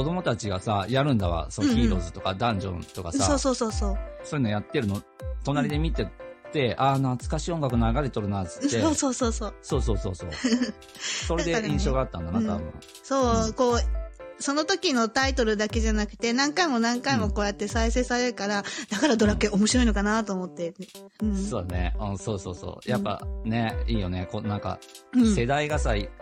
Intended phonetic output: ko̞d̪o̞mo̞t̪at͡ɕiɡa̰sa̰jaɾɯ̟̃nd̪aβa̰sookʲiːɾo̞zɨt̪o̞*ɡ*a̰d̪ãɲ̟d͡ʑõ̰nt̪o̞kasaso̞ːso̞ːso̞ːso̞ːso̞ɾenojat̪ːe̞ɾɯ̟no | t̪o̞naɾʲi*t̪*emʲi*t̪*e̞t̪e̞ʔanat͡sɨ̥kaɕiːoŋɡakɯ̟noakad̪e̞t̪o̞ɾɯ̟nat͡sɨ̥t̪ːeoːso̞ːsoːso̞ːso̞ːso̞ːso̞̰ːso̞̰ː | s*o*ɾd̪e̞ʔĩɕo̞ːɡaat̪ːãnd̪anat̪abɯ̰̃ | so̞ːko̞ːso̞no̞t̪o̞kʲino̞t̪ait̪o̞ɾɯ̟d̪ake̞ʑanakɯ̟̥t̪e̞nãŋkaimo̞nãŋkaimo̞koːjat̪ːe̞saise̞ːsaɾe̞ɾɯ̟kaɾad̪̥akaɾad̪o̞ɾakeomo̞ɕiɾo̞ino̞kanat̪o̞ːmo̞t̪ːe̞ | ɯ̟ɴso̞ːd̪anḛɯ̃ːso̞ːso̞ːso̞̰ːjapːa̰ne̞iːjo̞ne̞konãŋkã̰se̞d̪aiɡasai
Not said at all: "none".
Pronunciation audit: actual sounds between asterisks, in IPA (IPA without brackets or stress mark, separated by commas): k, d̪, t̪, o